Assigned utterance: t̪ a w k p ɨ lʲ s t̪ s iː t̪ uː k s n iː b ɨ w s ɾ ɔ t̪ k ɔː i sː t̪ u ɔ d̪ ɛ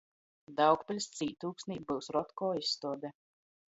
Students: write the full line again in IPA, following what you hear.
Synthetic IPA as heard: d̪ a w k p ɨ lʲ s t̪ s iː t̪ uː k s n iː b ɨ w s ɾ ɔ t̪ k ɔː i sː t̪ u ɔ d̪ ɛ